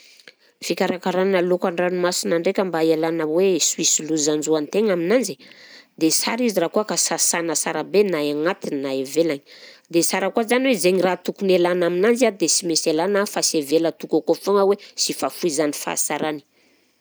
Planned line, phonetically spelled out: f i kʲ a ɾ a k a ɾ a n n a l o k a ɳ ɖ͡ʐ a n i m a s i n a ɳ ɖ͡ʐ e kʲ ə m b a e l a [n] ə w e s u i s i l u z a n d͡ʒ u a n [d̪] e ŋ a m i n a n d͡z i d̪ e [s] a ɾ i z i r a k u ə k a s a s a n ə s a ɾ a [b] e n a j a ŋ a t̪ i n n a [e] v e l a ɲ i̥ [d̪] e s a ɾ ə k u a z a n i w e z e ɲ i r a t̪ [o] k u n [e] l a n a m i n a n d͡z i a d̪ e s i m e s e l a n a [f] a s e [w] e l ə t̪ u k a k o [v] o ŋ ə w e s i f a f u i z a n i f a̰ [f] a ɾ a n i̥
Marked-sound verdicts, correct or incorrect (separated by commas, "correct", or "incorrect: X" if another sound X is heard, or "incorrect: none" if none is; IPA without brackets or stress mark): correct, incorrect: t̪, correct, correct, correct, correct, incorrect: u, correct, correct, incorrect: v, incorrect: f, incorrect: s